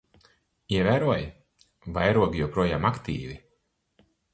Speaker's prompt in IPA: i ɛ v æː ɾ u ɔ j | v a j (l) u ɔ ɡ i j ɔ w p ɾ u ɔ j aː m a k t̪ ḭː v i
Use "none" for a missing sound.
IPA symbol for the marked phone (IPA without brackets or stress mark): ɾ